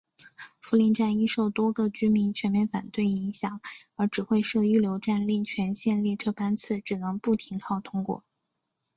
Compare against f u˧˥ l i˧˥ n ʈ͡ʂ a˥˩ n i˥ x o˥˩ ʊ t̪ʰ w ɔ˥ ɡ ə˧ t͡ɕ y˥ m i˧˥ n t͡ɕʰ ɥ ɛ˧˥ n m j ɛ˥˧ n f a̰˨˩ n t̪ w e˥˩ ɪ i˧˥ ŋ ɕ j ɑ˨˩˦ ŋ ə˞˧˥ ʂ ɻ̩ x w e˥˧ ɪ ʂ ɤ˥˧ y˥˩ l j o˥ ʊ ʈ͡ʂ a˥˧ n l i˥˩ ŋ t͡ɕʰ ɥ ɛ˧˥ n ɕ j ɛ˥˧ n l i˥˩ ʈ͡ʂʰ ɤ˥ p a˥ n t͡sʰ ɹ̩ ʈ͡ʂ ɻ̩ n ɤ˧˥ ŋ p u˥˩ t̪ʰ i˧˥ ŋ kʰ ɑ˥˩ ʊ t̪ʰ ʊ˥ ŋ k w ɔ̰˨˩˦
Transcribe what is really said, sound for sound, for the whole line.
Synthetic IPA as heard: f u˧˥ l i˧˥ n ʈ͡ʂ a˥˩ n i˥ ʂ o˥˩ ʊ t̪ w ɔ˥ ɡ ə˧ t͡ɕ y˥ m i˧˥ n t͡ɕʰ ɥ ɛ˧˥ n m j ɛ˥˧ n f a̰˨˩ n t̪ w e˥˩ ɪ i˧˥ ŋ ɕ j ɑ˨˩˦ ŋ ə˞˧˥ ʈ͡ʂ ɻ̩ x w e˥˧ ɪ ʂ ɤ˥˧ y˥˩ l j o˧˥ ʊ ʈ͡ʂ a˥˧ n l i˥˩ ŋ t͡ɕʰ ɥ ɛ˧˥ n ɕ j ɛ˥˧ n l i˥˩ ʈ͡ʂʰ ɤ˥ p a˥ n t͡sʰ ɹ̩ ʈ͡ʂ ɻ̩ n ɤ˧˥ ŋ p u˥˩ t̪ʰ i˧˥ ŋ kʰ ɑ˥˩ ʊ t̪ʰ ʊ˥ ŋ k w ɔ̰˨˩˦

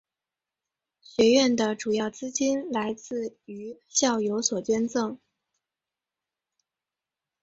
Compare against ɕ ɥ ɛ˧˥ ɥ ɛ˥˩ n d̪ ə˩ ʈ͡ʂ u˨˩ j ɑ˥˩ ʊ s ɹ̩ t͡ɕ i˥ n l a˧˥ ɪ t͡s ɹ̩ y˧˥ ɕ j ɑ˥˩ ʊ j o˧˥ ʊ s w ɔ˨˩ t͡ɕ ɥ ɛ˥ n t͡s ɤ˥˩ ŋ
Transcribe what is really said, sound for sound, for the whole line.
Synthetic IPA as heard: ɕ ɥ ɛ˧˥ ɥ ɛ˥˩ n d̪ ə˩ ʈ͡ʂ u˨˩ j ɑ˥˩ ʊ t͡s ɹ̩ t͡ɕ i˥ n l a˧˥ ɪ t͡s ɹ̩ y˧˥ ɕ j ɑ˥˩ ʊ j o˧˥ ʊ s w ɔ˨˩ t͡ɕ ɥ ɛ˥ n t͡s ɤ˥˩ ŋ

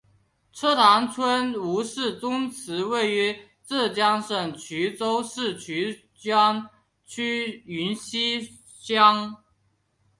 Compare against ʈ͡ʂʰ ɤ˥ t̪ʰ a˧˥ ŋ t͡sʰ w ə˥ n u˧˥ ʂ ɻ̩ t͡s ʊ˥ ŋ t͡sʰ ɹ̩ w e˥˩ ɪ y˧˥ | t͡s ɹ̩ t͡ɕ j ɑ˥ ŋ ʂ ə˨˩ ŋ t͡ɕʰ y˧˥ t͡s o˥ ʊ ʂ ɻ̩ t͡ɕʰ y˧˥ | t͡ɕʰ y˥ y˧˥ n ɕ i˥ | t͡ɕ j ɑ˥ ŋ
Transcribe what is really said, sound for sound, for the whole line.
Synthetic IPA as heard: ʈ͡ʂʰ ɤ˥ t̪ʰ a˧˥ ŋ t͡sʰ w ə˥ n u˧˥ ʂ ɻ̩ t͡s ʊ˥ ŋ t͡sʰ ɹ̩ w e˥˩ ɪ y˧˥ | t͡s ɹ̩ t͡ɕ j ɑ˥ ŋ ʂ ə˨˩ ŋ t͡ɕʰ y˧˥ t͡s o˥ ʊ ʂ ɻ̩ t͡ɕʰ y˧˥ | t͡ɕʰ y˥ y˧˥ n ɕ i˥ | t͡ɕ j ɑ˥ ŋ

